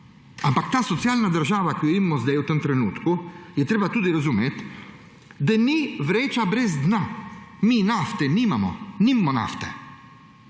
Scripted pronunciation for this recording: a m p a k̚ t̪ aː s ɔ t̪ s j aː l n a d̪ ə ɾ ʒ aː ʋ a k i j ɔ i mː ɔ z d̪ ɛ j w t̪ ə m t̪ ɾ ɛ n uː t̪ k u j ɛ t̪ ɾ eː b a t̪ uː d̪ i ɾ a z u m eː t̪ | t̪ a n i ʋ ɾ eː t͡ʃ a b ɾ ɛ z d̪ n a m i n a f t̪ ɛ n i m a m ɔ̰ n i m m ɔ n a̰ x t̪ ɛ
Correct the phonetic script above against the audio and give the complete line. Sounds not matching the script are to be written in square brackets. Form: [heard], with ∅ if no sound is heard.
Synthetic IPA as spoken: a m p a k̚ t̪ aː s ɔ t̪ s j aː l n a d̪ ə ɾ ʒ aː ʋ a k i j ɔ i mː ɔ z d̪ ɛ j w t̪ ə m t̪ ɾ ɛ n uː t̪ k u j ɛ t̪ ɾ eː b a t̪ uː d̪ i ɾ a z u m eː t̪ | [d̪] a n i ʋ ɾ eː t͡ʃ a b ɾ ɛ z d̪ n a m i n a f t̪ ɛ n i m a m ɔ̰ n i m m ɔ n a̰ [f] t̪ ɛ